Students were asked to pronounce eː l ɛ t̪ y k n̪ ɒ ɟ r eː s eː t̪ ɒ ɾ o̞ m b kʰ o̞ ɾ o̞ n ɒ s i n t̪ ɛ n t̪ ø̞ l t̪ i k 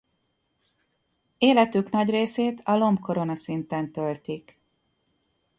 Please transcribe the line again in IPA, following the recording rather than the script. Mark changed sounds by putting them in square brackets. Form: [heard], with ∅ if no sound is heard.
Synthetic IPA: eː l ɛ t̪ y k n̪ ɒ ɟ r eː s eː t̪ ɒ [l] o̞ m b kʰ o̞ ɾ o̞ n ɒ s i n t̪ ɛ n t̪ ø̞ l t̪ i k